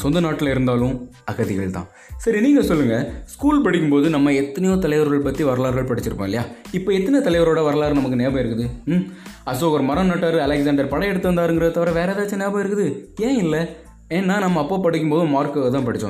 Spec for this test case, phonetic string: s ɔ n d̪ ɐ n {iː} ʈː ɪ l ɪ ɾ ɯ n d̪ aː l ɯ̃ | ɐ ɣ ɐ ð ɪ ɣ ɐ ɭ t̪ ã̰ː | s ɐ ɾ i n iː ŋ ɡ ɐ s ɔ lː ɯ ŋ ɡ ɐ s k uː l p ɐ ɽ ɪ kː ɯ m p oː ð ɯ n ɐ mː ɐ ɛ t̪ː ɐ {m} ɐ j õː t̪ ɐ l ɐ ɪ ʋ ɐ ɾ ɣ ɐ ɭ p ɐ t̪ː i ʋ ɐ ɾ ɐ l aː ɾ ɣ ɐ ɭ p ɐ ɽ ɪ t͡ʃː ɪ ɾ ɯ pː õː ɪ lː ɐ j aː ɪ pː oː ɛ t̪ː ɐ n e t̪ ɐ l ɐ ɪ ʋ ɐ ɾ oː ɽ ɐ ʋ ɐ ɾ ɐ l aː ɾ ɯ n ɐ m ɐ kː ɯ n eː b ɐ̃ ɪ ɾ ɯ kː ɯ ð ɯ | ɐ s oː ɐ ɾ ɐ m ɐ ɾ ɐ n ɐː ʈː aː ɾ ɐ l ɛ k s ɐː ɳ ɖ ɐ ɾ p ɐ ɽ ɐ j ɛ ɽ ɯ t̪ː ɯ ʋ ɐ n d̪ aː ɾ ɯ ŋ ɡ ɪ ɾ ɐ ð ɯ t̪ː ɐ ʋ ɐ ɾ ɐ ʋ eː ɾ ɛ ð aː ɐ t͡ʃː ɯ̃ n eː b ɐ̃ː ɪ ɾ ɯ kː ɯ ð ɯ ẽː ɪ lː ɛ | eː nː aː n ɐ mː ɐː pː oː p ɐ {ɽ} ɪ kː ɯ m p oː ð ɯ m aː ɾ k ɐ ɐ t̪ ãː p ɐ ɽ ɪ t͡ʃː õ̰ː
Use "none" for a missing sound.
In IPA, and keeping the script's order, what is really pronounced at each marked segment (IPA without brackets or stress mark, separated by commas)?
aː, n, ɽ